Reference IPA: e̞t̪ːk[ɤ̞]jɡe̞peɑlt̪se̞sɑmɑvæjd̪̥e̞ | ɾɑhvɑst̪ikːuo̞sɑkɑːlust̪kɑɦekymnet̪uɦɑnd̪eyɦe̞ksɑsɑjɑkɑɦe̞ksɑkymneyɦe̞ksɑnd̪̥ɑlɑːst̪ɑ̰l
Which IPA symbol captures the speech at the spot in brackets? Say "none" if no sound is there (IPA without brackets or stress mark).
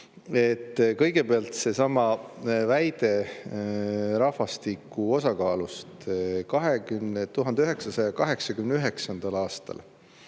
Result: ɤ̞